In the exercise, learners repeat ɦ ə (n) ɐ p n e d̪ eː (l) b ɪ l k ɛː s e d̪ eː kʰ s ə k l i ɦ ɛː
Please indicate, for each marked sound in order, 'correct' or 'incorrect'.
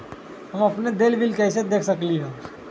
incorrect: m, correct

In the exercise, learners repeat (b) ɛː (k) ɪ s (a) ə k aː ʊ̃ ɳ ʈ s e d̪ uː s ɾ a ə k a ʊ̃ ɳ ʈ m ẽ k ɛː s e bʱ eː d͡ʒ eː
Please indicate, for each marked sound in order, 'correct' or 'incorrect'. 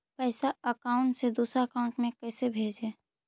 incorrect: p, incorrect: none, correct

